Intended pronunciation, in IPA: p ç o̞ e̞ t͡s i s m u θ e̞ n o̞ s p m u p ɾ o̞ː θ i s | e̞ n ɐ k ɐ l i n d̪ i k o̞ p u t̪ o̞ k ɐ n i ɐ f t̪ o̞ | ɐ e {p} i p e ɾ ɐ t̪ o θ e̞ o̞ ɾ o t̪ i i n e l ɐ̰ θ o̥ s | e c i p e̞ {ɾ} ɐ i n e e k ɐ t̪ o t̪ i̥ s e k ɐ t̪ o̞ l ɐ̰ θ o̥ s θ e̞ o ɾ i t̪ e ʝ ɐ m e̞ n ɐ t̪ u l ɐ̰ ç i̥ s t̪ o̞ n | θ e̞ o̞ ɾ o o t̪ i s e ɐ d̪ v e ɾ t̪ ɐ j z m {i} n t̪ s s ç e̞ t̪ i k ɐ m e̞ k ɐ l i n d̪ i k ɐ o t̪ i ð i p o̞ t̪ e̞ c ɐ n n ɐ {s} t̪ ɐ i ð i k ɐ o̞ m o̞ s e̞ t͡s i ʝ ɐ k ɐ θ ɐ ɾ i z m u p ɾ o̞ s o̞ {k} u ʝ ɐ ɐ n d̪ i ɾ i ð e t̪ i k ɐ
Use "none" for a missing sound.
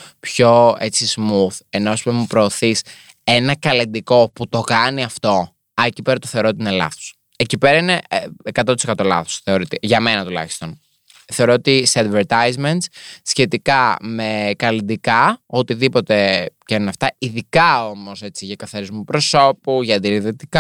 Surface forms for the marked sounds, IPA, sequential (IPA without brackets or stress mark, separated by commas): c, ɾ, e, f, p